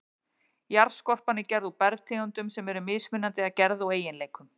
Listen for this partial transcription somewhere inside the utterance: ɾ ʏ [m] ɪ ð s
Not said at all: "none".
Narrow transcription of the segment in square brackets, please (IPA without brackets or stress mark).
m